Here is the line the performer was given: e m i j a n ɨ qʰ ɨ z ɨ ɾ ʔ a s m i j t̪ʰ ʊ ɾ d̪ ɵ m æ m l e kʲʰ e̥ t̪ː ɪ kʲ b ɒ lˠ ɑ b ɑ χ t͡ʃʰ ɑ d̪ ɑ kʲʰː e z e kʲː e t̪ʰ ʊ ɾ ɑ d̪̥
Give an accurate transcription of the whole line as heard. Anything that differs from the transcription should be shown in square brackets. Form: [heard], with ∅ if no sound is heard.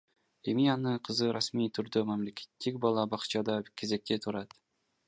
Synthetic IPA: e m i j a n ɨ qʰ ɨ z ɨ ɾ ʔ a s m i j t̪ʰ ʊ ɾ d̪ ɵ m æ m l e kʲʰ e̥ t̪ː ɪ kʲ b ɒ lˠ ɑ b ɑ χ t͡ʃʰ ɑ d̪ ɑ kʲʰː e z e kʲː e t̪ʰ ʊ ɾ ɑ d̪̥